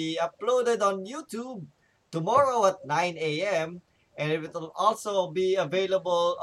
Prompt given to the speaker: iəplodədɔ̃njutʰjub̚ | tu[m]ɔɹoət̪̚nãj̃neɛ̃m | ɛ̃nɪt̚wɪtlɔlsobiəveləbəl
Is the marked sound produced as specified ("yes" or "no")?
yes